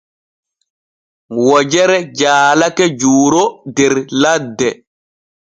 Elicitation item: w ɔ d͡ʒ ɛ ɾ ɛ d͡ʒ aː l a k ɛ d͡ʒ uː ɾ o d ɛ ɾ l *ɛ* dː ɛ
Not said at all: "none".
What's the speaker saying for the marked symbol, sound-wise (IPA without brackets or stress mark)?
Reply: a